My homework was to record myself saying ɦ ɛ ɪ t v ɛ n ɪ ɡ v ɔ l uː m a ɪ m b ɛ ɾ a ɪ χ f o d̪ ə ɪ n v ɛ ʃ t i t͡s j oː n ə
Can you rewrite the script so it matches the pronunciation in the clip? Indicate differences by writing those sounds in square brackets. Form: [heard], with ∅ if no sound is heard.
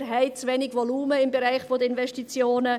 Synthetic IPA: ɦ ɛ ɪ [t͡s] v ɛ n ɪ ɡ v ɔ l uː m [ə] ɪ m b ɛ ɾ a ɪ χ f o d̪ ə ɪ n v ɛ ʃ t i t͡s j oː n ə